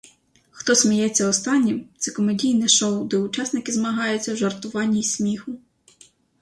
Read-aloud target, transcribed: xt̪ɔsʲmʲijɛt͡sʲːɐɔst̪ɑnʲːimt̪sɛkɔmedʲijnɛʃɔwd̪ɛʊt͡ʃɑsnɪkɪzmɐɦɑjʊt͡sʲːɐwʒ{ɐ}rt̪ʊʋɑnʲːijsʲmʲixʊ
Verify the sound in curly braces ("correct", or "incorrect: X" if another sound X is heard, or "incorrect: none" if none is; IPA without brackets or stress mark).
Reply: correct